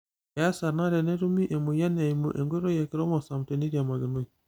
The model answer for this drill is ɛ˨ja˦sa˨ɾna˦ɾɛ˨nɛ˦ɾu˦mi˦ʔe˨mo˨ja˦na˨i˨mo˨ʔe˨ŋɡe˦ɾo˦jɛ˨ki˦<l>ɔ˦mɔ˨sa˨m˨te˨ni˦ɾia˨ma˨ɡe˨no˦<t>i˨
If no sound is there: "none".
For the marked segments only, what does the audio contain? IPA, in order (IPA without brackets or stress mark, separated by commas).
ɾ, none